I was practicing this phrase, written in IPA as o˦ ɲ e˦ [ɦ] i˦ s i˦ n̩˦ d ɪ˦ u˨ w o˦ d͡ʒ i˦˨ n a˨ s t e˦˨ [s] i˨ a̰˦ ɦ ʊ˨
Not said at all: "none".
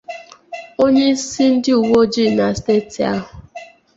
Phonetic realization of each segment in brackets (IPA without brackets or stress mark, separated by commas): none, t